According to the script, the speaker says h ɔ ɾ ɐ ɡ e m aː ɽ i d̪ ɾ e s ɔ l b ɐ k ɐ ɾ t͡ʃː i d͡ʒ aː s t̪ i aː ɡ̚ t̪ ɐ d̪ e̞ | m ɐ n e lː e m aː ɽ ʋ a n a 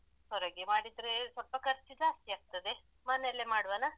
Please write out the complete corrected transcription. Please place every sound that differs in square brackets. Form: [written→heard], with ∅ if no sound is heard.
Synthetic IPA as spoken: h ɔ ɾ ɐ ɡ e m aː ɽ i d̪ ɾ e s ɔ l [b→p] ɐ k ɐ ɾ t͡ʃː i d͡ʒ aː s t̪ i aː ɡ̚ t̪ ɐ d̪ e̞ | m ɐ n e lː e m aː ɽ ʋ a n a

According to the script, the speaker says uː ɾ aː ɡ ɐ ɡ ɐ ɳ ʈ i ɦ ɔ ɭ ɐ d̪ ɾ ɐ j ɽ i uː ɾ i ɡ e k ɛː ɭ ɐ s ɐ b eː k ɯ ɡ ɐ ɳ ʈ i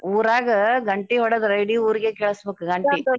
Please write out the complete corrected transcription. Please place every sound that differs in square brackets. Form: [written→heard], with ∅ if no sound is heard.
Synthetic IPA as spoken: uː ɾ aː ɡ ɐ ɡ ɐ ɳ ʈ i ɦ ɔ [ɭ→ɽ] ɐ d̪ ɾ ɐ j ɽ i uː ɾ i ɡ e k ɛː ɭ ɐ s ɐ b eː k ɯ ɡ ɐ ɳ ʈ i

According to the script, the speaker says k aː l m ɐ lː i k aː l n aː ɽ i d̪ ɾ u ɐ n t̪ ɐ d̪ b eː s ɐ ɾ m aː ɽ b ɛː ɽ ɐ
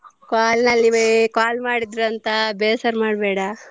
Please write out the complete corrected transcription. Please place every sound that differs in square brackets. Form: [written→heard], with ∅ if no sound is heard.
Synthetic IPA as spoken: k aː l [m→n] ɐ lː i k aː l [n→m] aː ɽ i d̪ ɾ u ɐ n t̪ ɐ [d̪→∅] b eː s ɐ ɾ m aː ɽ b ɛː ɽ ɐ

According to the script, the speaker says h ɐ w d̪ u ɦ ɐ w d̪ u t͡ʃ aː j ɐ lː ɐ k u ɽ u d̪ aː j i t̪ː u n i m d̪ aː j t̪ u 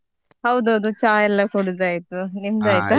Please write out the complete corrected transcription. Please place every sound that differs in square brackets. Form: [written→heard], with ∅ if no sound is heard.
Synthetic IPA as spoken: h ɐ w d̪ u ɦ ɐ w d̪ u t͡ʃ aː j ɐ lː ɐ k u ɽ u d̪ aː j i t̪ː u n i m d̪ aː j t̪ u

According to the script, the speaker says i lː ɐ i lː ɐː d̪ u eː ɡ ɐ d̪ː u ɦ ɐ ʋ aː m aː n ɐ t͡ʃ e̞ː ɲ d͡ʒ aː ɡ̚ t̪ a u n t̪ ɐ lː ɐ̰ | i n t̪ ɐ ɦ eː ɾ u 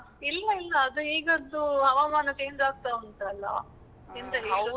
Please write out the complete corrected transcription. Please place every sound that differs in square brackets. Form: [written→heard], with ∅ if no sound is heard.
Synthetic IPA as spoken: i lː ɐ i lː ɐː d̪ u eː ɡ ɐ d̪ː u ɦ ɐ ʋ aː m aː n ɐ t͡ʃ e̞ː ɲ d͡ʒ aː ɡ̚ t̪ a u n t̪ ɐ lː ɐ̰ | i n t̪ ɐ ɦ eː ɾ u

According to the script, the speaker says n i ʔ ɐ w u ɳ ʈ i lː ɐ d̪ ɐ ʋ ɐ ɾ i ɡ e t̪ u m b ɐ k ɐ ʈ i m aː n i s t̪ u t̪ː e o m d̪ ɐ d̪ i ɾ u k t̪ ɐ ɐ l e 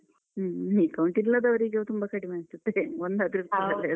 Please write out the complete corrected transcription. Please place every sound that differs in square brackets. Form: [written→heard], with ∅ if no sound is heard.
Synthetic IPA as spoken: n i [ʔ→k] ɐ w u ɳ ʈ i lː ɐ d̪ ɐ ʋ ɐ ɾ i ɡ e t̪ u m b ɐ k ɐ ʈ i m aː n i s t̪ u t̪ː e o [m→n] d̪ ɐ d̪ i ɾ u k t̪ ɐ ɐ l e

